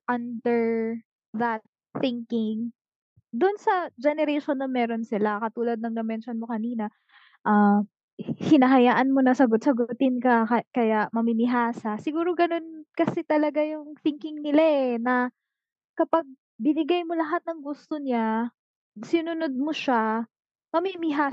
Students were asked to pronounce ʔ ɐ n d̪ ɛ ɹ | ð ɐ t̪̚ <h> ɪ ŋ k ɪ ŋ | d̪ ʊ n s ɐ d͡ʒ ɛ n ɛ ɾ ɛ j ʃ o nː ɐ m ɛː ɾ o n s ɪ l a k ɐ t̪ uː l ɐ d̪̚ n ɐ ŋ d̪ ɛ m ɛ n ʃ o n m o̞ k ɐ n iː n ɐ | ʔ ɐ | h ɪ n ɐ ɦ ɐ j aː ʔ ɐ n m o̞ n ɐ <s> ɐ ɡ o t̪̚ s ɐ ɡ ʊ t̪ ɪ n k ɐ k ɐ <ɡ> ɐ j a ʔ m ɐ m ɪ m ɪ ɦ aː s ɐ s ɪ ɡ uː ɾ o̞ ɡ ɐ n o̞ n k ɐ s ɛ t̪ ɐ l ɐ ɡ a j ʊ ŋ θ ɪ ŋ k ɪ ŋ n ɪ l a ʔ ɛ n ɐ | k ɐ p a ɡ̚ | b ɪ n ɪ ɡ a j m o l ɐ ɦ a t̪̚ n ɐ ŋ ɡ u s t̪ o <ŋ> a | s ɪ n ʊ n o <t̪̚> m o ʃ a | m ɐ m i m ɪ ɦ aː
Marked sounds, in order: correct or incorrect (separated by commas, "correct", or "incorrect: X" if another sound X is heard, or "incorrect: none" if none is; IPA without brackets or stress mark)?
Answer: incorrect: θ, correct, incorrect: k, incorrect: ɲ, incorrect: d̪̚